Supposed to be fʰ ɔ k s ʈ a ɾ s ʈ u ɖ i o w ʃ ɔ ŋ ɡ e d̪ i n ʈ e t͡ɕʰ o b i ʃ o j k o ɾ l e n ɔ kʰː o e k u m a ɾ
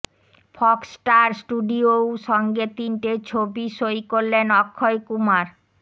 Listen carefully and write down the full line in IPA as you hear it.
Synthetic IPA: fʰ ɔ k s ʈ a ɾ s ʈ u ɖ i o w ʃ ɔ ŋ ɡ e t̪ i n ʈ e t͡ɕʰ o b i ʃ o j k o ɾ l e n ɔ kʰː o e k u m a ɾ

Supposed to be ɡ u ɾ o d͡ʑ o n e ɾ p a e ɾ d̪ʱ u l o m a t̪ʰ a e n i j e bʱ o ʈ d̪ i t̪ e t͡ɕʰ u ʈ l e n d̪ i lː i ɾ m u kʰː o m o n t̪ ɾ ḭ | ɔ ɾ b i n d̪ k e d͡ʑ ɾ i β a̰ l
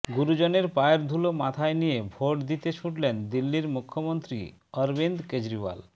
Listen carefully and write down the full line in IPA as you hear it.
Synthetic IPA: ɡ u ɾ u d͡ʑ o n e ɾ p a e ɾ d̪ʱ u l o m a t̪ʰ a e n i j e bʱ o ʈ d̪ i t̪ e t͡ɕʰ u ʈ l e n d̪ i lː i ɾ m u kʰː o m o n t̪ ɾ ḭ | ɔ ɾ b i n d̪ k e d͡ʑ ɾ i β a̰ l

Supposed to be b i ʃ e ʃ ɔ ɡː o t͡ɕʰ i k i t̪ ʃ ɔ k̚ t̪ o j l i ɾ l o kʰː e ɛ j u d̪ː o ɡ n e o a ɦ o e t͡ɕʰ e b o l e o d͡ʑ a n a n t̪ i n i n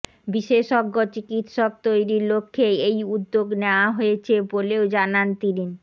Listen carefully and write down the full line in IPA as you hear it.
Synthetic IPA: b i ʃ e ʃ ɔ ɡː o t͡ɕ i k i t̪ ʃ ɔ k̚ t̪ o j ɾ i ɾ l o kʰː e e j u d̪ː o ɡ n e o a ɦ o e t͡ɕʰ e b o l e o d͡ʑ a n a n t̪ i n i n

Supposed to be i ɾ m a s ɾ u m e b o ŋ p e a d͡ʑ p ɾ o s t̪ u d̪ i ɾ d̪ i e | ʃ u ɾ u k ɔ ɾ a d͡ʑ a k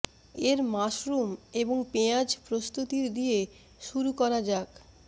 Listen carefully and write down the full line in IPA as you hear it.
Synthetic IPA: e ɾ m a ʃ ɾ u m e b o ŋ p e a d͡ʑ p ɾ o s t̪ u t̪ i ɾ d̪ i e | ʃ u ɾ u k ɔ ɾ a d͡ʑ a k

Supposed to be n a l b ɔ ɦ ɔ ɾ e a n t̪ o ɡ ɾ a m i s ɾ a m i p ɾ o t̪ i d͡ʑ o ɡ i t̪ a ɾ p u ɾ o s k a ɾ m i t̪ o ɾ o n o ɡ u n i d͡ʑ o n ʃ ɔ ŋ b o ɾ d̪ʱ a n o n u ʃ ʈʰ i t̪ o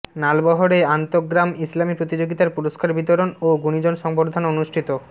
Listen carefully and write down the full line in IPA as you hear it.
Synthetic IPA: n a l b ɔ ɦ o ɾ e a n t̪ o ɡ ɾ a m i s l a m i p ɾ o t̪ i d͡ʑ o ɡ i t̪ a ɾ p u ɾ o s k a ɾ b i t̪ o ɾ o n o ɡ u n i d͡ʑ o n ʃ ɔ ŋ b o ɾ d̪ʱ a n o n u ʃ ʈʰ i t̪ o

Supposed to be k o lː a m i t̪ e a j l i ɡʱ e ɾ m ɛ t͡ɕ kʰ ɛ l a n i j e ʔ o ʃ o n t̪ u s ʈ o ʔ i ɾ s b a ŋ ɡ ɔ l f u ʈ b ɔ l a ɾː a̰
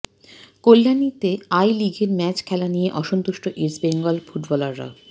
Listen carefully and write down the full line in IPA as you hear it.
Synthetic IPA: k o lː a n i t̪ e a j l i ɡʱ e ɾ m ɛ t͡ɕ kʰ ɛ l a n i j e ʔ ɔ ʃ o n t̪ u ʃ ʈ o ʔ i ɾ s b e ŋ ɡ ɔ l f u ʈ b ɔ l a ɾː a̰

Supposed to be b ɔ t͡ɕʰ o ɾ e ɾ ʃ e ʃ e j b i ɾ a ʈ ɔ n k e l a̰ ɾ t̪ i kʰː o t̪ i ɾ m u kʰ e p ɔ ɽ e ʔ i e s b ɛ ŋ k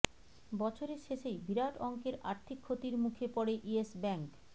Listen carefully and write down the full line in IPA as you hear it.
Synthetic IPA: b ɔ t͡ɕʰ o ɾ e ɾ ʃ e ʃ e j b i ɾ a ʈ ɔ ŋ k e ɾ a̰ ɾ t̪ʰ i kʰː o t̪ i ɾ m u kʰ e p ɔ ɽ e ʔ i e s b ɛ ŋ k

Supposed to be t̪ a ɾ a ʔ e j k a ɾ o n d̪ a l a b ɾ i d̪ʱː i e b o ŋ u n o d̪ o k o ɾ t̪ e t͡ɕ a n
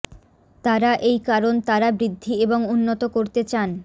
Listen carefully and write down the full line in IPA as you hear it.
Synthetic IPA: t̪ a ɾ a ʔ e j k a ɾ o n t̪ a ɾ a b ɾ i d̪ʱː i e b o ŋ u nː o t̪ o k o ɾ t̪ e t͡ɕ a n

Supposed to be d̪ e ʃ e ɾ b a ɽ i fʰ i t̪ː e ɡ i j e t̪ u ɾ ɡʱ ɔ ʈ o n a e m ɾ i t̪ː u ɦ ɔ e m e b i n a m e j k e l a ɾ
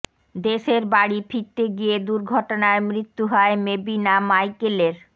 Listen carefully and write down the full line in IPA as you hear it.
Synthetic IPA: d̪ e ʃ e ɾ b a ɽ i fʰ i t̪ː e ɡ i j e d̪ u ɾ ɡʱ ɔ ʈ o n a e m ɾ i t̪ː u ɦ ɔ e m e b i n a m a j k e l e ɾ

